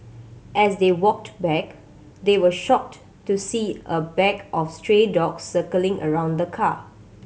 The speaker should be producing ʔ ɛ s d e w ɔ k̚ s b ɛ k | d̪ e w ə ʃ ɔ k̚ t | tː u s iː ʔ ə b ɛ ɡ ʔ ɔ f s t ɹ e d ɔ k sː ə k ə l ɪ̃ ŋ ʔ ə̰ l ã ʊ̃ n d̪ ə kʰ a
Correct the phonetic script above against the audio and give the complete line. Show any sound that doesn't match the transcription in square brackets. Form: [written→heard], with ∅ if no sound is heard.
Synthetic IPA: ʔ ɛ s d e w ɔ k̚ [s→t] b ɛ k | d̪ e w ə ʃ ɔ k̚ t | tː u s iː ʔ ə b ɛ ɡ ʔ ɔ f s t ɹ e d ɔ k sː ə k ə l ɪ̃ ŋ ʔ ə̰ [l→ɹ] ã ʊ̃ n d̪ ə kʰ a